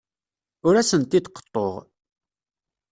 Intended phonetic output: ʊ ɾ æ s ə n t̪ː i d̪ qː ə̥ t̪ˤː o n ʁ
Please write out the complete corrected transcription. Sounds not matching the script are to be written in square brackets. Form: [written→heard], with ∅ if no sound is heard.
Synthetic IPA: ʊ ɾ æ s ə n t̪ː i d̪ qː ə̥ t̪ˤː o [n→∅] ʁ